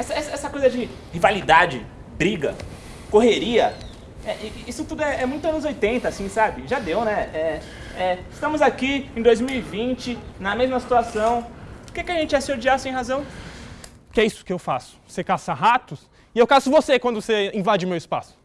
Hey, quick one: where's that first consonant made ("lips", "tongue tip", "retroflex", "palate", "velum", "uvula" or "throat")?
tongue tip